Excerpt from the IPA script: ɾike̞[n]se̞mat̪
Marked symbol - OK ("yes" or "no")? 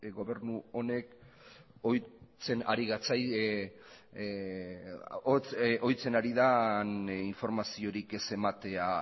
no